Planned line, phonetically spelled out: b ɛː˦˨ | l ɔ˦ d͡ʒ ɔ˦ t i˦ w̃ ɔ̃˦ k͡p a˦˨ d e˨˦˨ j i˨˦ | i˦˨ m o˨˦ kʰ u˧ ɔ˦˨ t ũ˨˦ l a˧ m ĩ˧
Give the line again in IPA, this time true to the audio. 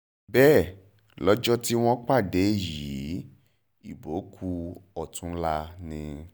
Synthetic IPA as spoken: b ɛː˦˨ | l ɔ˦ d͡ʒ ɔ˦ t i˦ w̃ ɔ̃˦ k͡p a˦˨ d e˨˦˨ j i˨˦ | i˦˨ b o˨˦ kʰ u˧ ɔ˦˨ t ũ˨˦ l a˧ n ĩ˧

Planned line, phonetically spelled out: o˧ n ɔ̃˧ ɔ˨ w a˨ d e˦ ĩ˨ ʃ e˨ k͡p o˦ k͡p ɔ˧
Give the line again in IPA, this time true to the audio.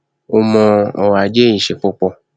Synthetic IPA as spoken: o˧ m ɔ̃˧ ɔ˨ w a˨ d͡ʒ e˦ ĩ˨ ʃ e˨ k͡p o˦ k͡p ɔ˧

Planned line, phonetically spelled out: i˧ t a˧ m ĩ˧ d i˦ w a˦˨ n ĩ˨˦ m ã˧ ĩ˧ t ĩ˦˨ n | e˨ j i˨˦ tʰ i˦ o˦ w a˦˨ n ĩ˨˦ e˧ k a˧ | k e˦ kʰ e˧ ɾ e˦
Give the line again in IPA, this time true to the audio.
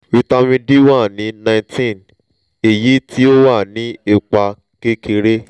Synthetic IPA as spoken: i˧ t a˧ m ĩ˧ d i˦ w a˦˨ n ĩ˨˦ n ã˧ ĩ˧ t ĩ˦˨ n | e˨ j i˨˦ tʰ i˦ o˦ w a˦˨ n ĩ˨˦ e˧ k͡p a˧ | k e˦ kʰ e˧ ɾ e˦

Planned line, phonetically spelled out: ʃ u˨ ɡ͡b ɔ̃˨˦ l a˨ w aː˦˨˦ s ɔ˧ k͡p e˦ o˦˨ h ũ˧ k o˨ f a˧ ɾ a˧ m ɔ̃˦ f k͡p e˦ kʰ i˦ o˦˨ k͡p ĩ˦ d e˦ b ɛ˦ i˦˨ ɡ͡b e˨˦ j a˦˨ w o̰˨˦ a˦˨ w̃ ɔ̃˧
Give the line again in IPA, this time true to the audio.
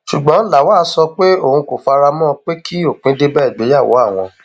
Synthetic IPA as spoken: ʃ u˨ ɡ͡b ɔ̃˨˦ l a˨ w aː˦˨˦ s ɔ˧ k͡p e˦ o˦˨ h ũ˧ k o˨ f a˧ ɾ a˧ m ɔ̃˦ k͡p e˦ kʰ i˦ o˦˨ k͡p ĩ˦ d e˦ b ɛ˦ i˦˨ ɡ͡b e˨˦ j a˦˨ w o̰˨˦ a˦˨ w̃ ɔ̃˧

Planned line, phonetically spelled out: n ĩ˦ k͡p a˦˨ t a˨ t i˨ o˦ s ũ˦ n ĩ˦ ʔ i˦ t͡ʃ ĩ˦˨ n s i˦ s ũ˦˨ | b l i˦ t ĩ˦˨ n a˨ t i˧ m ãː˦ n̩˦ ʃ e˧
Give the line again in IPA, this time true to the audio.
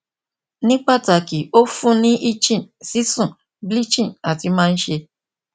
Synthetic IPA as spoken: n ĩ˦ k͡p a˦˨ t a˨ k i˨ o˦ f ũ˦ n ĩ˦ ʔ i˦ t͡ʃ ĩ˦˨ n s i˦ s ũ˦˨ | b l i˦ t͡ʃ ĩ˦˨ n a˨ t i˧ m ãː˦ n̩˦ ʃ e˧

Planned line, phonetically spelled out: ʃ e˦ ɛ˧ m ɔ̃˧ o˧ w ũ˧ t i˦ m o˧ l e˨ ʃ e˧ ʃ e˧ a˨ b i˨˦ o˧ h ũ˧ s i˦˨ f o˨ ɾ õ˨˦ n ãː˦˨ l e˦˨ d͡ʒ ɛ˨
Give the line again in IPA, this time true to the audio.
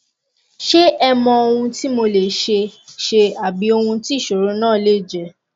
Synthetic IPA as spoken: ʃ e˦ ɛ˧ m ɔ̃˧ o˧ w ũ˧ t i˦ m o˧ l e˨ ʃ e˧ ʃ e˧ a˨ b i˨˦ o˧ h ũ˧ t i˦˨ ʃ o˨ ɾ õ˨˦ n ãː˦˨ l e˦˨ d͡ʒ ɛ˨

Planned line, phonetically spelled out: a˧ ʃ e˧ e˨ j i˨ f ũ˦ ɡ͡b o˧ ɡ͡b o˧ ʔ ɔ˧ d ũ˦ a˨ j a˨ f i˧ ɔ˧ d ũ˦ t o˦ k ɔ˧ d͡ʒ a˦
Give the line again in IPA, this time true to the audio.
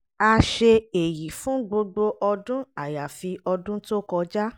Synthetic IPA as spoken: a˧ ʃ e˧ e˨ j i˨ f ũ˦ ɡ͡b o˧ ɡ͡b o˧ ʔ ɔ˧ d ũ˦ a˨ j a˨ f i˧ ɔ˧ d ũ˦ t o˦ k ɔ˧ d͡ʒ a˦

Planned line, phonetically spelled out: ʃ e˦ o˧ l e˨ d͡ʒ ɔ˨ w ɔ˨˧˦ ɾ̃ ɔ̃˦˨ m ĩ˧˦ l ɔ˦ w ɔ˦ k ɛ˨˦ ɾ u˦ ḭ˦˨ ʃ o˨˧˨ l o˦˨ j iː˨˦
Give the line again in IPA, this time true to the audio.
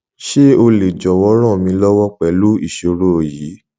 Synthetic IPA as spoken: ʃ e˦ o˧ l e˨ d͡ʒ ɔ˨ w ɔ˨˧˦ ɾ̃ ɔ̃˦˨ m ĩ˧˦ l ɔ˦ w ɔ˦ k͡p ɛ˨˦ l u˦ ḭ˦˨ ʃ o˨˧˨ ɾ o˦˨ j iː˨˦

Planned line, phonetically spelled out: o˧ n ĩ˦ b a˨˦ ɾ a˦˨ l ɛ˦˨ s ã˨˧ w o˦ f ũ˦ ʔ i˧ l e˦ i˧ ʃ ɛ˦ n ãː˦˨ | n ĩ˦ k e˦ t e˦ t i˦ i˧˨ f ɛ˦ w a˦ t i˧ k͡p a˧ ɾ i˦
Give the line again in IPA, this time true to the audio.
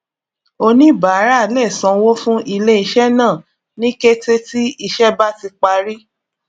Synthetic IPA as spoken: o˧ n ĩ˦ b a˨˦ ɾ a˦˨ l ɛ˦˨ s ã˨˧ w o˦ f ũ˦ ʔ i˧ l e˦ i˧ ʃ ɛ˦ n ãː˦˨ | n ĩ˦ k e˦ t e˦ t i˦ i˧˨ ʃ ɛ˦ b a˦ t i˧ k͡p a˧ ɾ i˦

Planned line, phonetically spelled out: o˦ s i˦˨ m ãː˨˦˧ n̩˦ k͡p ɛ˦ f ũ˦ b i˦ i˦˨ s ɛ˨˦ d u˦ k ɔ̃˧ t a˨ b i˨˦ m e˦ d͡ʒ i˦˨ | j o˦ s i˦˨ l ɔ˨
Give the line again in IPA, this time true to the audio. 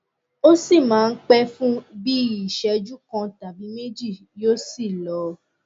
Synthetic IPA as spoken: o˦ s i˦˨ m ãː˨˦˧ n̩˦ k͡p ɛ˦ f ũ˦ b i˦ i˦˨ ʃ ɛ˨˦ d͡ʒ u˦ k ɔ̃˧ t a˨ b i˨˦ m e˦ d͡ʒ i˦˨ | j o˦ s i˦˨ l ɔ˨

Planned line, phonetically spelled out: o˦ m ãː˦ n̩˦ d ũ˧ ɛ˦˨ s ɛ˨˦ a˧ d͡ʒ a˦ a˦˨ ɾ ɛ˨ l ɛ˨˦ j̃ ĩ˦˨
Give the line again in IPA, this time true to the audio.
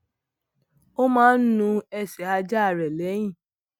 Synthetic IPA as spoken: o˦ m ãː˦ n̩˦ n ũ˧ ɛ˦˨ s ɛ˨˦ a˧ d͡ʒ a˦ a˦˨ ɾ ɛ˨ l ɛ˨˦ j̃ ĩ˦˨

